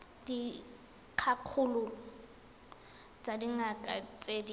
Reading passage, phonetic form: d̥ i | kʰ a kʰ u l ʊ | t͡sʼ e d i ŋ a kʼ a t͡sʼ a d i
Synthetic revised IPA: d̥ i | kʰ a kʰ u l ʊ | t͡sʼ a d i ŋ a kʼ a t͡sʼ e d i